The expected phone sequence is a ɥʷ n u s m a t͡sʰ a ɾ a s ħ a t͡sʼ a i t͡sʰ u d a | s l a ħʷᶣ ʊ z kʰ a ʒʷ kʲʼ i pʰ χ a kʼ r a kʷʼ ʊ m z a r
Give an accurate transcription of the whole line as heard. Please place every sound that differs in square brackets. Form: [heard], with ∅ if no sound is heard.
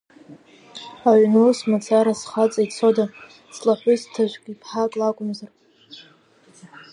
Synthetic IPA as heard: a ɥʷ n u s m a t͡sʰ a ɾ a s [χ] a t͡sʼ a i t͡sʰ [o] d a | s l a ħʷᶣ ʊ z [tʰ] a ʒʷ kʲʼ i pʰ [ħ] a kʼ [l] a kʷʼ ʊ m z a r

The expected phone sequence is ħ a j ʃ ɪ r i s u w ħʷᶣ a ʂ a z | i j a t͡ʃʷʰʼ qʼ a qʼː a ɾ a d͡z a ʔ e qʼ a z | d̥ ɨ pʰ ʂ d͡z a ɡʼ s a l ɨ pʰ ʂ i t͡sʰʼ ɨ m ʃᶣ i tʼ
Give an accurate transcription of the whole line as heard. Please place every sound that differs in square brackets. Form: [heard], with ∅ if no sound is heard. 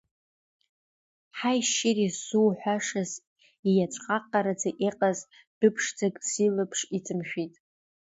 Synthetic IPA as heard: ħ a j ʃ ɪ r i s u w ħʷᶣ a ʂ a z | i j a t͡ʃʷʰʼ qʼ a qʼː a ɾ a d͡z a ʔ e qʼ a z | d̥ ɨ pʰ ʂ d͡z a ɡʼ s [i] l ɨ pʰ ʂ i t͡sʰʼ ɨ m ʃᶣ i tʼ

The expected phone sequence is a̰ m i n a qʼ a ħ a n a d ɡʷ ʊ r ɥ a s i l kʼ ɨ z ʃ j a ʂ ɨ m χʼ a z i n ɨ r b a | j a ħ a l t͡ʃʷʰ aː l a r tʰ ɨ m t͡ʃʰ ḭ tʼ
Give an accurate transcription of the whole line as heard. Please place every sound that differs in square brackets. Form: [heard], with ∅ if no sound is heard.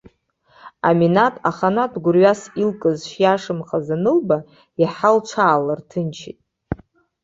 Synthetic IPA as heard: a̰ m i n a [tʼ] a [χ] a n a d ɡʷ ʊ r ɥ a s i l kʼ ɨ z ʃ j a ʂ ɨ m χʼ a z [a] n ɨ [l] b a | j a ħ a l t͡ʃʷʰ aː l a r tʰ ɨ [n] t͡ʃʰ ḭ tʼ

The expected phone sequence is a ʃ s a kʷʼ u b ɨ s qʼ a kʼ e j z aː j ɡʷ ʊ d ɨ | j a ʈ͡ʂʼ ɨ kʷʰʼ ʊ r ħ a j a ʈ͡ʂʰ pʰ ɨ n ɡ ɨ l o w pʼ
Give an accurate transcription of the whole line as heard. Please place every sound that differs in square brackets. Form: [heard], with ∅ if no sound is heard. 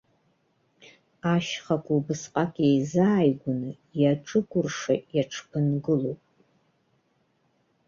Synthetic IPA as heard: a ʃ [χ] a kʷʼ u b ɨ s qʼ a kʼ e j z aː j ɡʷ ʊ [n] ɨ | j a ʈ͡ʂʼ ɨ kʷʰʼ ʊ r [ʂ] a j a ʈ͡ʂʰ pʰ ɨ n ɡ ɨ l o w pʼ

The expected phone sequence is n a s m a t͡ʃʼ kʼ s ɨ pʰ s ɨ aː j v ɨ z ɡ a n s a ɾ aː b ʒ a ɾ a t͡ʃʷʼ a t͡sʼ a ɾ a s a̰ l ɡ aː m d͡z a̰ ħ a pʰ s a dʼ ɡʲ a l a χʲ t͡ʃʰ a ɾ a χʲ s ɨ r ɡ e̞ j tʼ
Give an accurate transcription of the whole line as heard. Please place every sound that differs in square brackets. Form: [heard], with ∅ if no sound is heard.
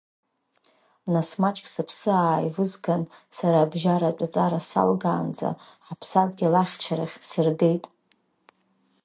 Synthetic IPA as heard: n a s m a t͡ʃʼ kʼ s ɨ pʰ s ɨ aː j v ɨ z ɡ a n s a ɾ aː b ʒ a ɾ a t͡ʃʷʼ a t͡sʼ a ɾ a s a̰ l ɡ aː [n] d͡z a̰ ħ a pʰ s a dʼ ɡʲ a l a χʲ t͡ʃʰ a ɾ a χʲ s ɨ r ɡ e̞ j tʼ

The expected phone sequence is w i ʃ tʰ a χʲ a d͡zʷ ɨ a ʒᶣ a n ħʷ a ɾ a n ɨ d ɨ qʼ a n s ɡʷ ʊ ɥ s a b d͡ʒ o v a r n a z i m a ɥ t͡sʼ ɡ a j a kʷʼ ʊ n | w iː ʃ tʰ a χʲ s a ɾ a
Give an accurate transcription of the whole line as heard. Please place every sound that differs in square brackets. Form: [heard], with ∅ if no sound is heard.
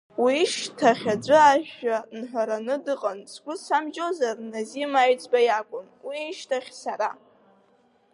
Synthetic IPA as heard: w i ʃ tʰ a χʲ a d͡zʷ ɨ a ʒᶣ a n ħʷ a ɾ a n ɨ d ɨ qʼ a n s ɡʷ ʊ [∅] s a [m] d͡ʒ o [z] a r n a z i m a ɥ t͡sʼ [b] a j a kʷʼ ʊ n | w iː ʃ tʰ a χʲ s a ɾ a

